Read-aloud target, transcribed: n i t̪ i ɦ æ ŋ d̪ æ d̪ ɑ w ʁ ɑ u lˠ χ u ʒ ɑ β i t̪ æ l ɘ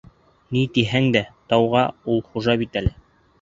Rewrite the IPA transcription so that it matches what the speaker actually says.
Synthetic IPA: n i t̪ i ɦ æ ŋ d̪ æ t̪ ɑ w ʁ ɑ u lˠ χ u ʒ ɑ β i t̪ æ l ɘ

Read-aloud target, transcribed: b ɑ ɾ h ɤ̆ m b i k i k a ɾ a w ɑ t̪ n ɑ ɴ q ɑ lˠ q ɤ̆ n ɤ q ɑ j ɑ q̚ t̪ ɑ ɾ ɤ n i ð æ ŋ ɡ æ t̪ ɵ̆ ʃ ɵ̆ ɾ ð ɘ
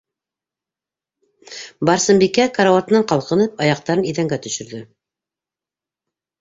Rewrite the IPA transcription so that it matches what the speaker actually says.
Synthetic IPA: b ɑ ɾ s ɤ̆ m b i k æ k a ɾ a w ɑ t̪ n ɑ ɴ q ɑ lˠ q ɤ̆ n ɤ p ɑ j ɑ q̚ t̪ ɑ ɾ ɤ n i ð æ ŋ ɡ æ t̪ ɵ̆ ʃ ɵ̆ ɾ ð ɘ

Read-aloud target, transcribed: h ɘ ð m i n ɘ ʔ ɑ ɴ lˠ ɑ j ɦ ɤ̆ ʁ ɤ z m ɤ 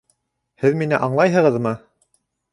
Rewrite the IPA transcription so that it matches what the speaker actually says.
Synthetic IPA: h ɘ ð m i n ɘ ʔ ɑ ɴ lˠ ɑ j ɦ ɤ̆ ʁ ɤ ð m ɤ

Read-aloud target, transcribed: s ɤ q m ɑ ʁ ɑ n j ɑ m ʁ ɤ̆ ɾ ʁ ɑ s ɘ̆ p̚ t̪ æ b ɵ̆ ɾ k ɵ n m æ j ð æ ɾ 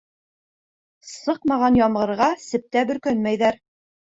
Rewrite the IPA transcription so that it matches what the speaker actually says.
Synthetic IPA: s ɤ q m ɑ ʁ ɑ n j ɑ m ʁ ɤ̆ ɾ ʁ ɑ s ɘ̆ p̚ t̪ æ b ɵ̆ ɾ k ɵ n m æ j ð æ ɾ

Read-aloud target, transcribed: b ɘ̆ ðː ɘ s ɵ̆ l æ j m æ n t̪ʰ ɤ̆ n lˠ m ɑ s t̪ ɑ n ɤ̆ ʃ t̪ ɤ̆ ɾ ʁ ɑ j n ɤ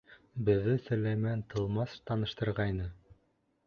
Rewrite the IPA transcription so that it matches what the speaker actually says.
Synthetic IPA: b ɘ̆ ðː ɘ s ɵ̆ l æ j m æ n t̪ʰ ɤ̆ lˠ m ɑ s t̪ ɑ n ɤ̆ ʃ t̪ ɤ̆ ɾ ʁ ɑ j n ɤ

